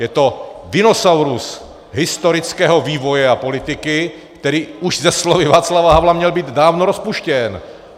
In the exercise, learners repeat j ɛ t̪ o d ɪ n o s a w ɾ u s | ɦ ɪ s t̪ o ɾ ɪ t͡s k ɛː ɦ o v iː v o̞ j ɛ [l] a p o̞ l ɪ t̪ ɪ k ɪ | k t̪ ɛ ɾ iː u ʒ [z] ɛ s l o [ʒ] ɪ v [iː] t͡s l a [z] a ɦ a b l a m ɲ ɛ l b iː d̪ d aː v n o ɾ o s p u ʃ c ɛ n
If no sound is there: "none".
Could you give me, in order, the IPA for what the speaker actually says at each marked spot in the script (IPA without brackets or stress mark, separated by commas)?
none, z, v, aː, v